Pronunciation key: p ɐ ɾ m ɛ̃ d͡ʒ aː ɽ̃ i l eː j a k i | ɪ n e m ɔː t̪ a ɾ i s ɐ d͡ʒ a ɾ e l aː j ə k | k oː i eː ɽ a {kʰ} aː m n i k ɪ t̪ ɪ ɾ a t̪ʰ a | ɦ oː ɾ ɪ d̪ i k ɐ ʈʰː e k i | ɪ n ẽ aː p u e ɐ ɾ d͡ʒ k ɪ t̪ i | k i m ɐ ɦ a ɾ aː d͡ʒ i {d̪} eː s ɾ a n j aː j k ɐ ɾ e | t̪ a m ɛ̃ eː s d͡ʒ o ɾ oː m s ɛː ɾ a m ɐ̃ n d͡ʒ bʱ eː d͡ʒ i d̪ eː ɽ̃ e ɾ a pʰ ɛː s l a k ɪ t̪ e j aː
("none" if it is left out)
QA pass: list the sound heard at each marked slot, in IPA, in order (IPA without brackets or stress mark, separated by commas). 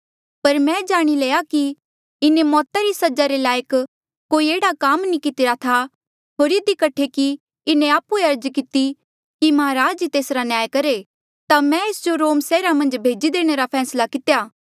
k, t̪